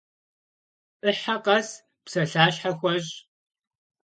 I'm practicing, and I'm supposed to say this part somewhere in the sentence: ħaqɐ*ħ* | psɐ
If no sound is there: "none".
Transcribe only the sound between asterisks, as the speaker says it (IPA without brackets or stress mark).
s